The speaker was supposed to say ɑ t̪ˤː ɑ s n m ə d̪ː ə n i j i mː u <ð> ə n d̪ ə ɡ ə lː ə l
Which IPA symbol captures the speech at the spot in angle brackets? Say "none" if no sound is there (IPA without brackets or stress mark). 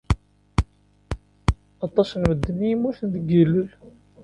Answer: θ